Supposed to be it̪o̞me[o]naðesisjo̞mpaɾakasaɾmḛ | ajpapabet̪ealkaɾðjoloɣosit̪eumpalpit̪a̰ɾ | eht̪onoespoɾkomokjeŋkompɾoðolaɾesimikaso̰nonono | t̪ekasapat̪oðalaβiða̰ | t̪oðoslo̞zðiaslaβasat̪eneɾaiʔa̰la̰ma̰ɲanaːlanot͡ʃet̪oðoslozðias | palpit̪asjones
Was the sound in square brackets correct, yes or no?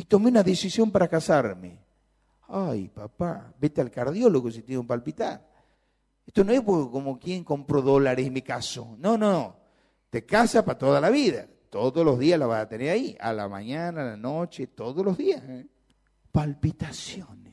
no